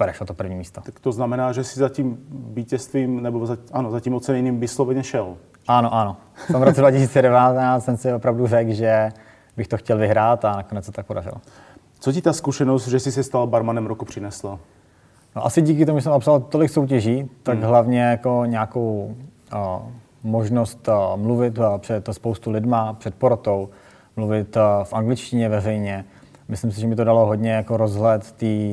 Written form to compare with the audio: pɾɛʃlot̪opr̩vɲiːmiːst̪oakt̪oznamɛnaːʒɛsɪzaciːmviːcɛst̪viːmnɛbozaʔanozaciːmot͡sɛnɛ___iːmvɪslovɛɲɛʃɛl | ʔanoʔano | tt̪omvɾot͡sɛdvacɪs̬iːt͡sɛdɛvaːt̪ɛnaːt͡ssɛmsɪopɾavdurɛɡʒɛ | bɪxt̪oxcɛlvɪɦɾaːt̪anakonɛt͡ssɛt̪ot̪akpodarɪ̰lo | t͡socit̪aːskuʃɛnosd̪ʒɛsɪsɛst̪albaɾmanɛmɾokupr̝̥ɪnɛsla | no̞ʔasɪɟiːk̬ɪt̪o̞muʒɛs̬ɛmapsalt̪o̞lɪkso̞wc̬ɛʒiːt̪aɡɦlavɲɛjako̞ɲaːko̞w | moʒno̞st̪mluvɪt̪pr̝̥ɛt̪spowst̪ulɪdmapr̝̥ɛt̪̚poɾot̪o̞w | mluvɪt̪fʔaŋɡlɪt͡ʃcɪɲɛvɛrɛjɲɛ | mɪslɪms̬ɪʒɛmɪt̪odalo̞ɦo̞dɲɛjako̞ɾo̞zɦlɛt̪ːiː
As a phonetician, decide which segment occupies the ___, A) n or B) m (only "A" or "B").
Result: A